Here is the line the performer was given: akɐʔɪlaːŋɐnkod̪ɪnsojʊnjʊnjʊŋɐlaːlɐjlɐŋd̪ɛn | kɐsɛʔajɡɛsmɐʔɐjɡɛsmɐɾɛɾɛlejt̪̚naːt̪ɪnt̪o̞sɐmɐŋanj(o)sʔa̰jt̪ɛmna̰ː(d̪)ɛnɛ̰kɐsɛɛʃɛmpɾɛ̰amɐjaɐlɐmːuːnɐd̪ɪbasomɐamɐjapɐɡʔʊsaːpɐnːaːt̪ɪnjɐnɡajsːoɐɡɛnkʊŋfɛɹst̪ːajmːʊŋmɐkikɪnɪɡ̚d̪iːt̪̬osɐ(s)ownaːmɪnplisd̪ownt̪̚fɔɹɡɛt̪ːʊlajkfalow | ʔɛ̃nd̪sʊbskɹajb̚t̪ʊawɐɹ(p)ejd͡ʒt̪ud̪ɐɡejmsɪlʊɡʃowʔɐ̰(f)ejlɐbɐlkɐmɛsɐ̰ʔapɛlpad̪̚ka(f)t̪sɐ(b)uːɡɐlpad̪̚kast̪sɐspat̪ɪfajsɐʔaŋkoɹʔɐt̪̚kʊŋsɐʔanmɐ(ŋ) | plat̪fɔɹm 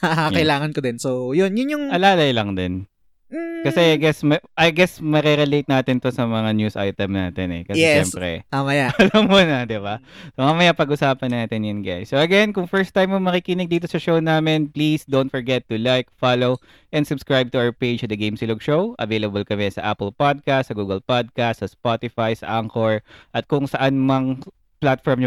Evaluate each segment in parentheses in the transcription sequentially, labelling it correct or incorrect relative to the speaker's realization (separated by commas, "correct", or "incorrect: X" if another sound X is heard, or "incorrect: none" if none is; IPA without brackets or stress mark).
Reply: incorrect: u, incorrect: t̪, incorrect: ʃ, correct, incorrect: v, incorrect: s, incorrect: ɡ, correct